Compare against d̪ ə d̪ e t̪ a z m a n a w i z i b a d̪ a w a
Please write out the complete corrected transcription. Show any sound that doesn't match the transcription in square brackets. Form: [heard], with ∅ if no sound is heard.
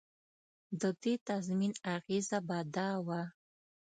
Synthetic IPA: d̪ ə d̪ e t̪ a z m [i] n a [ɣ] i z [a] b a d̪ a w a